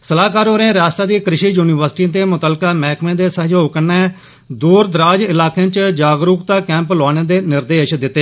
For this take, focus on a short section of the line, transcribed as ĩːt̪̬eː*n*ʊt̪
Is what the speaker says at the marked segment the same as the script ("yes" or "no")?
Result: no